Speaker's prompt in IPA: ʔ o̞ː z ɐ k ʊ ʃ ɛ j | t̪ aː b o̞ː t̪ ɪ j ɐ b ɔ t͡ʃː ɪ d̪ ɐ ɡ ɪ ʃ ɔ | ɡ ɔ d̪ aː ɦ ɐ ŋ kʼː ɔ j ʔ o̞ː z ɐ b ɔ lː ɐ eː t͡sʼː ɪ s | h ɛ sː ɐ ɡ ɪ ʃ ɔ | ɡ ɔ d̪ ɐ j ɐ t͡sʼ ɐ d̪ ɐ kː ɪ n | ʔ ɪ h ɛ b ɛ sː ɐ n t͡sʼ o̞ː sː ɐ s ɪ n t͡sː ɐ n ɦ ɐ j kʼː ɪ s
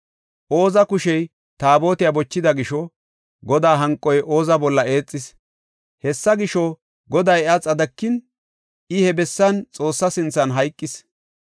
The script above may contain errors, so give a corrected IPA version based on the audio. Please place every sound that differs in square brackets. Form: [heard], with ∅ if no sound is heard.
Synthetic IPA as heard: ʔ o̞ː z ɐ k ʊ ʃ ɛ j | t̪ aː b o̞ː t̪ ɪ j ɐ b ɔ t͡ʃː ɪ d̪ ɐ ɡ ɪ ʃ ɔ | ɡ ɔ d̪ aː ɦ ɐ ŋ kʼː ɔ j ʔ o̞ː z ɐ b ɔ lː ɐ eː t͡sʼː ɪ s | h ɛ sː ɐ ɡ ɪ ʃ ɔ | ɡ ɔ d̪ ɐ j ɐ t͡sʼ ɐ d̪ ɐ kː ɪ n | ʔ ɪ h ɛ b ɛ sː ɐ n t͡sʼ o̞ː sː ɐ s ɪ n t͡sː ɐ n ɦ ɐ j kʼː ɪ s